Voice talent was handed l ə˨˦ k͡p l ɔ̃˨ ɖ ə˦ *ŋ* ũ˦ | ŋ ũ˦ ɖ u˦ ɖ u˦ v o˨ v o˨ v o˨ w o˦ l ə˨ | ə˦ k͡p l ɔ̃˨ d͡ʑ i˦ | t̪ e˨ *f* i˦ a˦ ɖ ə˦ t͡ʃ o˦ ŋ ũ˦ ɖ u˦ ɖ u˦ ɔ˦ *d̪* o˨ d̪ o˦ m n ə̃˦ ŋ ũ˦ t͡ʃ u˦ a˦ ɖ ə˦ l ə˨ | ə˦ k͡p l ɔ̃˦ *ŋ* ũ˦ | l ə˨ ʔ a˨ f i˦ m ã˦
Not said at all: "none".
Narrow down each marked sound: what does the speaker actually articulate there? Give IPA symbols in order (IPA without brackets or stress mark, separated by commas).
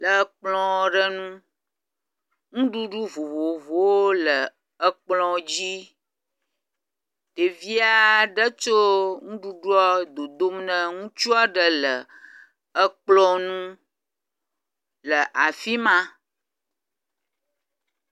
n, v, d̪, n